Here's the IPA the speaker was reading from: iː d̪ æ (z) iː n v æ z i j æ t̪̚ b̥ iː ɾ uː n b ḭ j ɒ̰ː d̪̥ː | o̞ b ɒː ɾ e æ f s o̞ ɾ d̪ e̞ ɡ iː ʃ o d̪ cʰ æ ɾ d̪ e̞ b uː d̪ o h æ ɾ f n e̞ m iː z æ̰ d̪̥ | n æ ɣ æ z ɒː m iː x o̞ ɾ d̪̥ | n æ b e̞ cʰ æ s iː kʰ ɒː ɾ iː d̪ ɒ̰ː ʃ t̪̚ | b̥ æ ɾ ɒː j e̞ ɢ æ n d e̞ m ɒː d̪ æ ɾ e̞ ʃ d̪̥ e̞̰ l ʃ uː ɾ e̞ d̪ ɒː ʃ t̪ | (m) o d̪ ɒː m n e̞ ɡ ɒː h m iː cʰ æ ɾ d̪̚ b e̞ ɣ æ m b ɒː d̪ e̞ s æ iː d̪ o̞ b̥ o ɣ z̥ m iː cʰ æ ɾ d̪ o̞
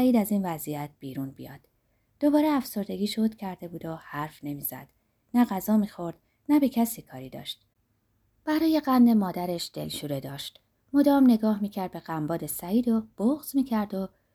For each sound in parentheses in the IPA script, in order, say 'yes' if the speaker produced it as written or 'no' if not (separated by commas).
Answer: yes, yes